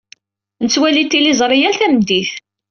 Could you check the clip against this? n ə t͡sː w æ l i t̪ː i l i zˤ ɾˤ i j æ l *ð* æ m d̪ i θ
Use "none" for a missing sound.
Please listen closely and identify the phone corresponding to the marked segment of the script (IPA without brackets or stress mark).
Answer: θ